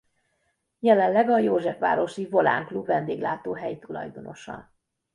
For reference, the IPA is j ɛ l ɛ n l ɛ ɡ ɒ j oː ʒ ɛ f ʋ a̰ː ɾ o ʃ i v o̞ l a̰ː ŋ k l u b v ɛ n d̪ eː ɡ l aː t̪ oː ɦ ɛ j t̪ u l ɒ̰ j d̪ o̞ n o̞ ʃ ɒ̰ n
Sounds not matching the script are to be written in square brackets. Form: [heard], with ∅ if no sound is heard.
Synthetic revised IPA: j ɛ l ɛ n l ɛ ɡ ɒ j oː ʒ ɛ f ʋ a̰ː ɾ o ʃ i v o̞ l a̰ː ŋ k l u b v ɛ n d̪ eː ɡ l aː t̪ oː ɦ ɛ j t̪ u l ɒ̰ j d̪ o̞ n o̞ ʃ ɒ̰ n